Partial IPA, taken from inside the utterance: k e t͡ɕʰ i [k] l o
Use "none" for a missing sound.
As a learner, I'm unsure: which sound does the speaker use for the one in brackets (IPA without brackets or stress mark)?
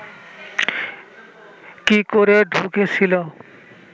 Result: none